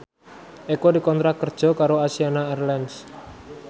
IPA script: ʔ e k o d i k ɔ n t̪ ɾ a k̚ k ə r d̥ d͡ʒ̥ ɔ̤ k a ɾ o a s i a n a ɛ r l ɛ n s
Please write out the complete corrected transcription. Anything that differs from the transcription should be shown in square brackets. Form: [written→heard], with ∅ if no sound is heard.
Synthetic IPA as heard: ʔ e k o d i k ɔ n t̪ ɾ a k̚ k ə r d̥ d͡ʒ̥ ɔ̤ k a ɾ o a s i a n a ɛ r l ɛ n s